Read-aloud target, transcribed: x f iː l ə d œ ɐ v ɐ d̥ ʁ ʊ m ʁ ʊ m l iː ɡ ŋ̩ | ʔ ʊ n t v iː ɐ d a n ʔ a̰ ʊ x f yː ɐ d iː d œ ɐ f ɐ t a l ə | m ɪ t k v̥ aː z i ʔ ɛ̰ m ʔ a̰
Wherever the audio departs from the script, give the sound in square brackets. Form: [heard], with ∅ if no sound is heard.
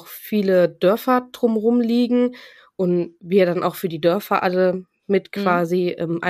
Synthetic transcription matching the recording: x f iː l ə d œ ɐ [f] ɐ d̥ ʁ ʊ m ʁ ʊ m l iː ɡ ŋ̩ | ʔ ʊ n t v iː ɐ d a n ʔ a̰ ʊ x f yː ɐ d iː d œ ɐ f ɐ [ʔ] a l ə | m ɪ t k v̥ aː z i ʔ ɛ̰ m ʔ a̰